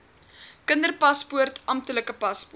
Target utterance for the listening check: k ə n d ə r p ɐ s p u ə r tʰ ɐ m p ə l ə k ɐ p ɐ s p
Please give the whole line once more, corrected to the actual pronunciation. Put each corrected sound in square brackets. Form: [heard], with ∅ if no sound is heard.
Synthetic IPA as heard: k ə n d ə r p ɐ s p u ə r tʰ ɐ m [t] ə l ə k [ə] p ɐ s p